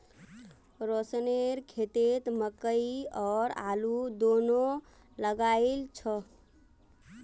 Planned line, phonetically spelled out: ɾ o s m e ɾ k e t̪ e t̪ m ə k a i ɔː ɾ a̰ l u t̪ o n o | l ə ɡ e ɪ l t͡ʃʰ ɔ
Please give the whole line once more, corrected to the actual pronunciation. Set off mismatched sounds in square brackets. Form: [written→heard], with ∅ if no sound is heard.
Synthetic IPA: ɾ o s [m→n] e ɾ [k→kʰ] e t̪ e t̪ m ə k [a→ə] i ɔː ɾ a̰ l u [t̪→d̪] o n o | l ə ɡ [e→a] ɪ l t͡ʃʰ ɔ

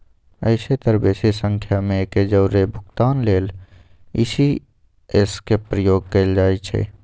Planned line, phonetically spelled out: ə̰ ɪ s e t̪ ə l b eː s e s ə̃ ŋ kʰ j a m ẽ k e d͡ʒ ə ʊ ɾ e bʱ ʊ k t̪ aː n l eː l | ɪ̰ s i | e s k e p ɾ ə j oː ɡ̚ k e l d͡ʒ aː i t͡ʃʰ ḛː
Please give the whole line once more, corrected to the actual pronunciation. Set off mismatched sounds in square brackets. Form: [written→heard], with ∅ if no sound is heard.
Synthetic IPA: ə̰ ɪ s e t̪ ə [l→ɾ] b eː s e s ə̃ ŋ kʰ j a m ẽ k e d͡ʒ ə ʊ ɾ e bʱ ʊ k t̪ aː n l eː l | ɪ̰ s i | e s k e p ɾ ə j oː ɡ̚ k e l d͡ʒ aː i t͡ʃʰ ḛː

